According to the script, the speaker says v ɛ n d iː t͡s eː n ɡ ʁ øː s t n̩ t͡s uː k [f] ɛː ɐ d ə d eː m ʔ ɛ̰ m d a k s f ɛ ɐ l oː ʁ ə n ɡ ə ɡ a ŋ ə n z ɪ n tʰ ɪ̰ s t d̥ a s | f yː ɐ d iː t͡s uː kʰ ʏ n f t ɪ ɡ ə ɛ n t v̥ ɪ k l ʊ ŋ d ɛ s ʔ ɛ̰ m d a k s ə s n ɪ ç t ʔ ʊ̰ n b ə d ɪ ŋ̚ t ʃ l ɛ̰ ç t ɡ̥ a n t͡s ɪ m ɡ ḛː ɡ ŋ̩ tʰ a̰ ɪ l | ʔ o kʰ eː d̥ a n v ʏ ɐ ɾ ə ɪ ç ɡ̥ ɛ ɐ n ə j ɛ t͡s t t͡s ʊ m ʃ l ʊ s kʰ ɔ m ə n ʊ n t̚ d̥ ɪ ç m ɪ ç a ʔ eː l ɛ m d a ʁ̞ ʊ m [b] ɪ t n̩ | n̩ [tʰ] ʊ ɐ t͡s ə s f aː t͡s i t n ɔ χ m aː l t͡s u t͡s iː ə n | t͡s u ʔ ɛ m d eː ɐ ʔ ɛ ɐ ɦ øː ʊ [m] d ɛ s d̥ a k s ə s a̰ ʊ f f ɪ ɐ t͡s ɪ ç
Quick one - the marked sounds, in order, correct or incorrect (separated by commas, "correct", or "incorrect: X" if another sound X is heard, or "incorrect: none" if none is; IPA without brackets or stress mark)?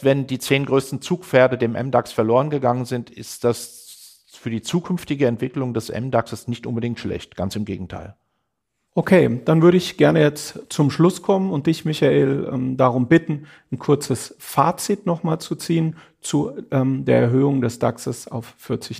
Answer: correct, correct, incorrect: kʰ, incorrect: ŋ